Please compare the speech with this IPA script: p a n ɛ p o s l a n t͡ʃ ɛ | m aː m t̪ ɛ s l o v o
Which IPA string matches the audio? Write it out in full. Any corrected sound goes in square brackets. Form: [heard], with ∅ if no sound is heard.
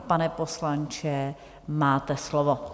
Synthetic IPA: p a n ɛ p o s l a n t͡ʃ ɛ | m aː [∅] t̪ ɛ s l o v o